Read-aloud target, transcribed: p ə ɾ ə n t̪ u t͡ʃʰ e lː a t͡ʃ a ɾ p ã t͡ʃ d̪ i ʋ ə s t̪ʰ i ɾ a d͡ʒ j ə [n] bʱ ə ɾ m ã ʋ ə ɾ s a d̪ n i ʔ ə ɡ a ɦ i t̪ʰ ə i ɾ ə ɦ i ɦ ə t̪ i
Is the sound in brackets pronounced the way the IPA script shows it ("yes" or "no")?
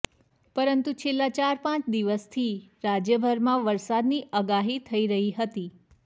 no